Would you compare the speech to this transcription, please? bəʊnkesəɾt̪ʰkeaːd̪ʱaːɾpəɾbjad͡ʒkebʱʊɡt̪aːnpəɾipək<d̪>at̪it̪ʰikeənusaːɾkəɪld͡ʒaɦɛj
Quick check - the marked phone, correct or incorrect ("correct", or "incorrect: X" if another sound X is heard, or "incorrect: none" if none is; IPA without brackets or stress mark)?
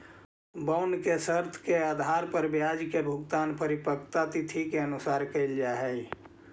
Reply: incorrect: t̪